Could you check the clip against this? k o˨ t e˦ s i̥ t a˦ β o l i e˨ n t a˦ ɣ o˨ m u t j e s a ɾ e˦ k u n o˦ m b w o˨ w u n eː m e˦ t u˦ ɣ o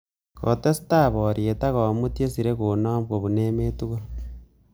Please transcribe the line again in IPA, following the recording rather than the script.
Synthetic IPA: k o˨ t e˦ s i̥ t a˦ β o ɾ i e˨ t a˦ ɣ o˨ m u t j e s i ɾ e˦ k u n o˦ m b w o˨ β u n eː m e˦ t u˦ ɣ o